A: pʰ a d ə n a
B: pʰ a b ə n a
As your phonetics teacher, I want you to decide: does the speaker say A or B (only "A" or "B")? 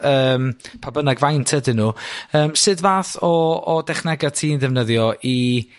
B